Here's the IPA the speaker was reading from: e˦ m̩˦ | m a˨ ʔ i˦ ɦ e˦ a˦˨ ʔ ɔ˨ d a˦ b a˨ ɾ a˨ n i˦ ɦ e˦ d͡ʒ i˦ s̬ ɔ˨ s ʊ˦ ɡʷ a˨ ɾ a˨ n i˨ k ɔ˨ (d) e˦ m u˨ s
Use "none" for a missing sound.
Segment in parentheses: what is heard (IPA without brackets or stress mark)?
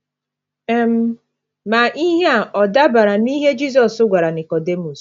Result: d